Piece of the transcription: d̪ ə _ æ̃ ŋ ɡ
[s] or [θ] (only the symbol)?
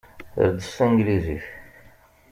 s